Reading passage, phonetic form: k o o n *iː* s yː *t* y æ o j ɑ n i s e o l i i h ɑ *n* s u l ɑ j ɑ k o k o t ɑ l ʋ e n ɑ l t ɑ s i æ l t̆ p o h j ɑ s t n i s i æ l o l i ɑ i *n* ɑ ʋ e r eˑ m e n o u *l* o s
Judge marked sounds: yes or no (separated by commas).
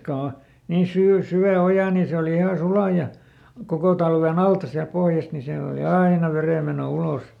yes, no, no, yes, yes